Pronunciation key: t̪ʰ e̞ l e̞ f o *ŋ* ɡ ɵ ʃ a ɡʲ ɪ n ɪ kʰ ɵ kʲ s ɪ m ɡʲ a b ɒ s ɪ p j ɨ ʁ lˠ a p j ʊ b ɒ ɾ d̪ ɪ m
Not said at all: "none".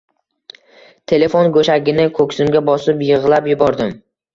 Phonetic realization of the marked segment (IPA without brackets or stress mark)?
n